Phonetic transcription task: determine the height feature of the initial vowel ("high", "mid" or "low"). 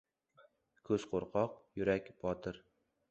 mid